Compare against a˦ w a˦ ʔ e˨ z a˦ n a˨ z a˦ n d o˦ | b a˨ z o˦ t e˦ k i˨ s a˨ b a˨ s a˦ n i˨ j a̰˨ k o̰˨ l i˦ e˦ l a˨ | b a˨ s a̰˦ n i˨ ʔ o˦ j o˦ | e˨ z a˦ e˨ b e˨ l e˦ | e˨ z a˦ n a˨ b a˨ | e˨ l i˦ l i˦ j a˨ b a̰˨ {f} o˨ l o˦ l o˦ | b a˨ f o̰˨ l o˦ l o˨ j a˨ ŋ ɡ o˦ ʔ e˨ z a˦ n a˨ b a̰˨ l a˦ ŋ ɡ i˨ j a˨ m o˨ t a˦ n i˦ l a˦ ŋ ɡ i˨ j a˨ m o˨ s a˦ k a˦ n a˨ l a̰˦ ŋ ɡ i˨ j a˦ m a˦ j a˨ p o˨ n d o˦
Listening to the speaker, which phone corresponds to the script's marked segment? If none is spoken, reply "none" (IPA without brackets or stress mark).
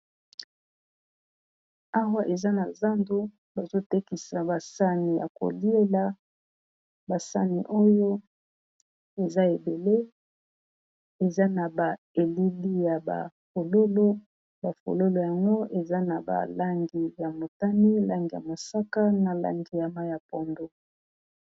f